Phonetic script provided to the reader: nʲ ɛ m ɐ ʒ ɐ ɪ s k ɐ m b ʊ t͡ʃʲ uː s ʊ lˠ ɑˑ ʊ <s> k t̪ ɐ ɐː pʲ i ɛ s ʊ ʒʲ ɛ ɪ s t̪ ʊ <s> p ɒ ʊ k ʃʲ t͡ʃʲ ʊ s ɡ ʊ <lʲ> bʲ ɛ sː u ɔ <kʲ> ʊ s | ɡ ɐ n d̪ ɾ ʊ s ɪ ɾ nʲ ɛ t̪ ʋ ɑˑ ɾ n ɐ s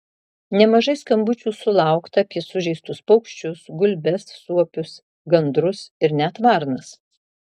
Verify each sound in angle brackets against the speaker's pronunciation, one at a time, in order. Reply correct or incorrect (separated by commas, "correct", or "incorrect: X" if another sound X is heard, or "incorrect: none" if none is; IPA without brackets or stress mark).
incorrect: none, correct, correct, incorrect: pʲ